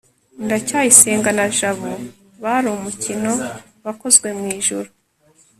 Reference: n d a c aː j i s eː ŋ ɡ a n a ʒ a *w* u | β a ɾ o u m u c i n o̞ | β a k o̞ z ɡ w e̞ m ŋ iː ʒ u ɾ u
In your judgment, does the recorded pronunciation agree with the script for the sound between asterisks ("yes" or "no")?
no